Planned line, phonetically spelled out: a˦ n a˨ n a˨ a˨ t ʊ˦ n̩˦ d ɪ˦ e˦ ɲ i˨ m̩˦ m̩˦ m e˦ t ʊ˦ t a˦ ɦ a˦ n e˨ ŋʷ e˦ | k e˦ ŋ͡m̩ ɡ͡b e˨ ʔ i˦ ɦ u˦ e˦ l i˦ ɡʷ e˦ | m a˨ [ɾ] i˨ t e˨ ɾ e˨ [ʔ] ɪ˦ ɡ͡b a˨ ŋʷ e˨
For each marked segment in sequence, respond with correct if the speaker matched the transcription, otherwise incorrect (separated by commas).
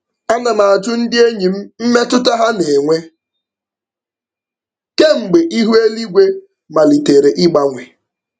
incorrect, correct